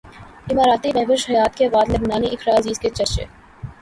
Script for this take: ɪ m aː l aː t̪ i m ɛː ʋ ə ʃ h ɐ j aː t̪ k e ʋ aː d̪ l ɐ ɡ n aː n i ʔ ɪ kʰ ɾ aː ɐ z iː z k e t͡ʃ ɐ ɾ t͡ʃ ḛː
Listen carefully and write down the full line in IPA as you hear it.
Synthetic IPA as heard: ɪ m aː ɾ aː t̪ i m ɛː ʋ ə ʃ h ɐ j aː t̪ k e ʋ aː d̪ l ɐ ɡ n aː n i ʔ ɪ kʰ ɾ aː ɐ z iː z k e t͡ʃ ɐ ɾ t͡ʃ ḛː